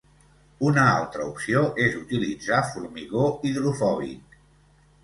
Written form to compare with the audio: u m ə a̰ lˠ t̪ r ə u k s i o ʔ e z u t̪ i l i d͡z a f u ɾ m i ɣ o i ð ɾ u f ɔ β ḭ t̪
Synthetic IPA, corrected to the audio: u n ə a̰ lˠ t̪ ɾ ə u p s i o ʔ e z u t̪ i l i d͡z a f u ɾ m i ɣ o i ð ɾ u f ɔ β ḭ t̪